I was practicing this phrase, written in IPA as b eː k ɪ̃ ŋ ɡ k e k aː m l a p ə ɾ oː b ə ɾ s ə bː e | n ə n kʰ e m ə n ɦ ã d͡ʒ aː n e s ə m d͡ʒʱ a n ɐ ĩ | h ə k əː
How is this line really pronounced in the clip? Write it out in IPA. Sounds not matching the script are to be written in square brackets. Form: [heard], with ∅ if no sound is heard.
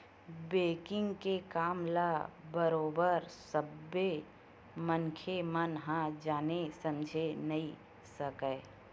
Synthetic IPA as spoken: b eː k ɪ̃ ŋ ɡ k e k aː m l a [b] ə ɾ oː b ə ɾ s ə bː e | [m] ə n kʰ e m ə n ɦ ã d͡ʒ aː n e s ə m d͡ʒʱ [e] n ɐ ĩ | [s] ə k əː

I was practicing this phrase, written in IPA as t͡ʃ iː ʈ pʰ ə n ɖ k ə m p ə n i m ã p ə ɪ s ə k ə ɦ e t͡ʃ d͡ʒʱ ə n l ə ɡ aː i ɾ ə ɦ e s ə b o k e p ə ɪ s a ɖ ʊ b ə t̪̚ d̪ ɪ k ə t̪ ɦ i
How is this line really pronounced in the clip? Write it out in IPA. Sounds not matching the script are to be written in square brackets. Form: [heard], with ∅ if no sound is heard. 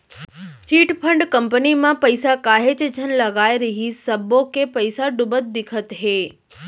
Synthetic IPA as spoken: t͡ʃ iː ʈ pʰ ə [ɳ] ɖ k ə m p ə n i m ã p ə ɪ s [a] k [a] ɦ e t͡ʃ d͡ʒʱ ə n l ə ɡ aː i ɾ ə ɦ [i] s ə b o k e p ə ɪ s a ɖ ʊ b ə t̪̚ d̪ ɪ [kʰ] ə t̪ ɦ [e]

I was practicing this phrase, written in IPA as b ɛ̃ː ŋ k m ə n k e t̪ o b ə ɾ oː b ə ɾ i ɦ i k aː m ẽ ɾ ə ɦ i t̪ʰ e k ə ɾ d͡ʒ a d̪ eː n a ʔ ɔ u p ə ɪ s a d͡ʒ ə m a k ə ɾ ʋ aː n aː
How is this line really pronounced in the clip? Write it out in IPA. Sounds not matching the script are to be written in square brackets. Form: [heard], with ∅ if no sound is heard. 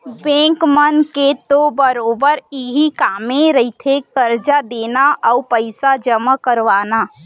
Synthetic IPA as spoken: b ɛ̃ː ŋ k m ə n k e t̪ o b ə ɾ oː b ə ɾ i ɦ i k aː m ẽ ɾ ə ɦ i t̪ʰ e k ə ɾ d͡ʒ a d̪ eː n a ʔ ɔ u p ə ɪ s a d͡ʒ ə m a k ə ɾ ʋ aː n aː

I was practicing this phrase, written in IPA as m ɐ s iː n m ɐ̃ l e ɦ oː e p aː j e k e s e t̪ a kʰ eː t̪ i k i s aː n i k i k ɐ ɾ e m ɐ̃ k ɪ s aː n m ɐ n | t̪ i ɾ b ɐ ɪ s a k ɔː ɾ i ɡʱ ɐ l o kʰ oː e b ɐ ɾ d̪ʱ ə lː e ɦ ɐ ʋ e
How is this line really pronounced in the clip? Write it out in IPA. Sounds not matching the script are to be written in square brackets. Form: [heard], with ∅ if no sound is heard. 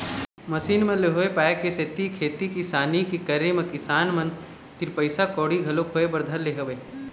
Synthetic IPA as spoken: m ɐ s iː n m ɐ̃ l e ɦ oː e p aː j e k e s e t̪ [i] kʰ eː t̪ i k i s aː n i k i k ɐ ɾ e m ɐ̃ k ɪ s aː n m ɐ n | t̪ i ɾ [p] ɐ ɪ s a k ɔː [ɽ] i ɡʱ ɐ l o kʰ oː e b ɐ ɾ d̪ʱ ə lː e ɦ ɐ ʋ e

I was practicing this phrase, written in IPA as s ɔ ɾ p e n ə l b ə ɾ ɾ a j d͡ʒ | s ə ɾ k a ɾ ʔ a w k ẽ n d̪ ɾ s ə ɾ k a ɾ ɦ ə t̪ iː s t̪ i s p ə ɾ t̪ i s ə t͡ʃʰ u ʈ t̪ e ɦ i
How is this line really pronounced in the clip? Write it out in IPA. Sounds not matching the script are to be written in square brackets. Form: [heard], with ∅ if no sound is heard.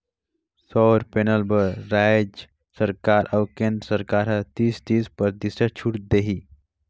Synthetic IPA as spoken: s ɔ ɾ p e n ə l b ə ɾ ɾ a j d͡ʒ | s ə ɾ k a ɾ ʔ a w k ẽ n d̪ ɾ s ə ɾ k a ɾ ɦ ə t̪ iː s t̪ i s p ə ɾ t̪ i s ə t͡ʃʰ u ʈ [d̪] e ɦ i

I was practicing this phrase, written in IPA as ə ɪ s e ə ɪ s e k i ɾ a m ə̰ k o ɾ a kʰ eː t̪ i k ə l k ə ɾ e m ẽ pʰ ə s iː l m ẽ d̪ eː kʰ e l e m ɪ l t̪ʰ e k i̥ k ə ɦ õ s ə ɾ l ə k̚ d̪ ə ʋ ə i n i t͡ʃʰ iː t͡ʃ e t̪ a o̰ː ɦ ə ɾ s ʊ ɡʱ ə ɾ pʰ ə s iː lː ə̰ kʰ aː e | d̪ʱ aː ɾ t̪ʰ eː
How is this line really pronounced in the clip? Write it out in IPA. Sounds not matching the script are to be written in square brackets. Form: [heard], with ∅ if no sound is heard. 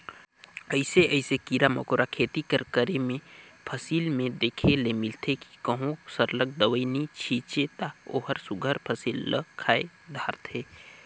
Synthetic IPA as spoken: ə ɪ s e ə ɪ s e k i ɾ a m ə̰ k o ɾ a kʰ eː t̪ i k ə [ɾ] k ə ɾ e m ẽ pʰ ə s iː l m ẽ d̪ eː kʰ e l e m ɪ l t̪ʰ e k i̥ k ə ɦ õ s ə ɾ l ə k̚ d̪ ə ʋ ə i n i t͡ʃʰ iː t͡ʃ e t̪ a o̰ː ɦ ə ɾ s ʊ ɡʱ ə ɾ pʰ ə s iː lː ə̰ kʰ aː e | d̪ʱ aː ɾ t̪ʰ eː

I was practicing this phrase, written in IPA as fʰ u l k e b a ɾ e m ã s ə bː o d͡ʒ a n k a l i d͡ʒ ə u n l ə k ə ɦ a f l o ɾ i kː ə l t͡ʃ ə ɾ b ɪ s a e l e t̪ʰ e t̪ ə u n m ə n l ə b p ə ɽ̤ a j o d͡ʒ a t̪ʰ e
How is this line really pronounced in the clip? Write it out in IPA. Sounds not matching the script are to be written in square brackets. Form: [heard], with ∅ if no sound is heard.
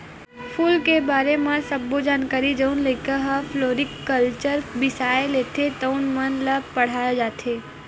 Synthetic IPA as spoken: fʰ u l k e b a ɾ e m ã s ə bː o d͡ʒ a n k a [ɾ] i d͡ʒ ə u n l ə k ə ɦ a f l o ɾ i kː ə l t͡ʃ ə ɾ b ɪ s a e l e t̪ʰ e t̪ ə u n m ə n l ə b p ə ɽ̤ a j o d͡ʒ a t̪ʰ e

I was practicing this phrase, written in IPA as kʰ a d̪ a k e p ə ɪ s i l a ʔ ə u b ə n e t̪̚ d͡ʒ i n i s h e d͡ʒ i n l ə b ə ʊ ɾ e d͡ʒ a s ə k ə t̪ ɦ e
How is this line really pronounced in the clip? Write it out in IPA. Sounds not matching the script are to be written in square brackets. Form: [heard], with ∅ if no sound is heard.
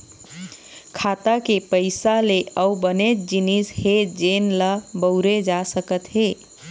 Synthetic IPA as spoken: kʰ a [t̪] a k e p ə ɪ s [a] l [e] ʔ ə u b ə n e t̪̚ d͡ʒ i n i s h e d͡ʒ [e] n l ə b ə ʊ ɾ e d͡ʒ a s ə k ə t̪ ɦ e

